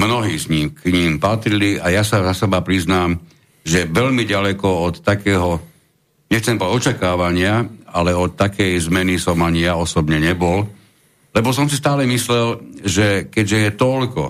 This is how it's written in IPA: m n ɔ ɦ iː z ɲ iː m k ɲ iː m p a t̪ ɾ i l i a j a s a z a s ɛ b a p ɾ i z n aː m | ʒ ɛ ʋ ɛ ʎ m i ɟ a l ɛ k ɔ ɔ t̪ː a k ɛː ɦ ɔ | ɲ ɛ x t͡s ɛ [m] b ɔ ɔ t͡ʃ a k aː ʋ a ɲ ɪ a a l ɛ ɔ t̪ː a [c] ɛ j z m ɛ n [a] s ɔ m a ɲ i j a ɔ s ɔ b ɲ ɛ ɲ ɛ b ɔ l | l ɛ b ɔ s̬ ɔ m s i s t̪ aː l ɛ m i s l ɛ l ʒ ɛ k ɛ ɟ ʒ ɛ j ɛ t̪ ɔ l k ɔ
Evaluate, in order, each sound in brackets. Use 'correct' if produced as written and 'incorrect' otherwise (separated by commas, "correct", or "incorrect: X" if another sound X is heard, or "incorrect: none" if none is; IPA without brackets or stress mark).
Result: correct, incorrect: k, incorrect: i